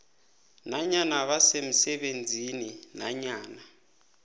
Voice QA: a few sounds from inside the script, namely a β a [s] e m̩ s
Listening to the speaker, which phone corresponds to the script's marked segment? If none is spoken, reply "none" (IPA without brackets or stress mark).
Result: s